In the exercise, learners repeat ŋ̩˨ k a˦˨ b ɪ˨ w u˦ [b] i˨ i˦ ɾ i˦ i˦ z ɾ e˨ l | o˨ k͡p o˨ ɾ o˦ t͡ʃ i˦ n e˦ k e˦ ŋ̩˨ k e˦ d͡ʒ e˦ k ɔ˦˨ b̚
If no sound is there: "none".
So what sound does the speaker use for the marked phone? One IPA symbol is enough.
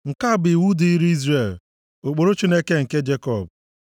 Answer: d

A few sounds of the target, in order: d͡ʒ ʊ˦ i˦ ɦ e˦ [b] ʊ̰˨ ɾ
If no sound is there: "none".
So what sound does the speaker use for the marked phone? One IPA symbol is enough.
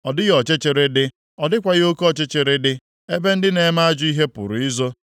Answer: p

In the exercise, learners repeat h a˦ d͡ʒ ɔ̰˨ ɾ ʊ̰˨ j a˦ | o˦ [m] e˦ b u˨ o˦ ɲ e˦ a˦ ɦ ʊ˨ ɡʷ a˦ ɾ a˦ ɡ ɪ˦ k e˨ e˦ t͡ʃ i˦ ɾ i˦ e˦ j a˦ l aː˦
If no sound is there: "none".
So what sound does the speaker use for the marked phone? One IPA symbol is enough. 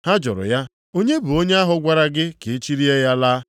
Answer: ɲ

